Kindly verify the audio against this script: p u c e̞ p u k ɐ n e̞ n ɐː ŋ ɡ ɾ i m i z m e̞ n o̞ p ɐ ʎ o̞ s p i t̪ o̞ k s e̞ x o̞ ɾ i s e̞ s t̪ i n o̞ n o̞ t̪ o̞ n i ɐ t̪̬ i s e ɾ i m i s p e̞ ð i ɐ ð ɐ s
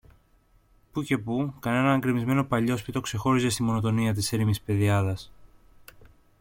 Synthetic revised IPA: p u c e̞ p u k ɐ n e̞ n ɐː ŋ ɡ ɾ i m i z m e̞ n o̞ p ɐ ʎ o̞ s p i t̪ o̞ k s e̞ x o̞ ɾ i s e̞ s t̪ i m o̞ n o̞ t̪ o̞ n i ɐ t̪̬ i s e ɾ i m i s p e̞ ð i ɐ ð ɐ s